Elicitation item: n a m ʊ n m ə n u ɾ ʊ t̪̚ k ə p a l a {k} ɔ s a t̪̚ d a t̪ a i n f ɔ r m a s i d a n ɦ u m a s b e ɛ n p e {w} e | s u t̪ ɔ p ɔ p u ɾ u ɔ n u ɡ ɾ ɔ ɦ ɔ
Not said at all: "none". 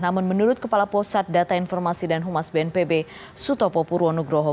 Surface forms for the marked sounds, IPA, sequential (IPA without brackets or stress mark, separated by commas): p, b